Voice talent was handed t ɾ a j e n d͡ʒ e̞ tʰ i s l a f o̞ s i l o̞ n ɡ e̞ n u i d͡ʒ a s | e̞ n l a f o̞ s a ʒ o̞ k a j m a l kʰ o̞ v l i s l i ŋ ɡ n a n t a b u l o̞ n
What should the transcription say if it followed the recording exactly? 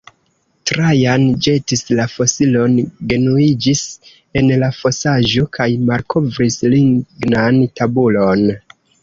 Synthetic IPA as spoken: t ɾ a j a n d͡ʒ e̞ t i s l a f o̞ s i l o̞ n ɡ e̞ n u i d͡ʒ i s | e̞ n l a f o̞ s a ʒ o̞ k a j m a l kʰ o̞ v ɾ i s l i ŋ ɡ n a n t a b u l o̞ n